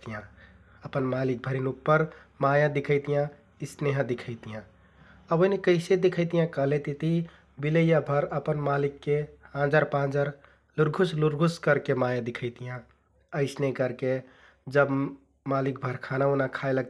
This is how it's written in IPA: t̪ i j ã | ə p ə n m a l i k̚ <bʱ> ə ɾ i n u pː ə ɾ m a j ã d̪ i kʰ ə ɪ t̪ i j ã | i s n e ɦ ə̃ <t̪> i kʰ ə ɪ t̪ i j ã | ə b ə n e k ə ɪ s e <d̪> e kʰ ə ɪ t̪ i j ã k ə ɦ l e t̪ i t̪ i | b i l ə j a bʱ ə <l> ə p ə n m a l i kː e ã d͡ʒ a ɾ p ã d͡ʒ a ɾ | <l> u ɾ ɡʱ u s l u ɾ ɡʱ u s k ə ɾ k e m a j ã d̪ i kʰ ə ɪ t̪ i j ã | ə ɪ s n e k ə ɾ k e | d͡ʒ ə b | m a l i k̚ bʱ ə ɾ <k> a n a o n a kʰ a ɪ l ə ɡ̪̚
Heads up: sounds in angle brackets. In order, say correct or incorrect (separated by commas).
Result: correct, incorrect, correct, incorrect, correct, incorrect